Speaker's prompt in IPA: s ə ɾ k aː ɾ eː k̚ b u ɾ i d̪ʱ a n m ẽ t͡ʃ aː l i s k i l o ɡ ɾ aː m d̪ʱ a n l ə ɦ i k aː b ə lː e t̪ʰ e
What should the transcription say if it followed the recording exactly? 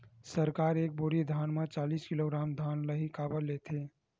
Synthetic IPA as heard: s ə ɾ k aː ɾ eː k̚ b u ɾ i d̪ʱ a n m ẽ t͡ʃ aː l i s k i l o ɡ ɾ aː m d̪ʱ a n l ə ɦ i k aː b ə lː e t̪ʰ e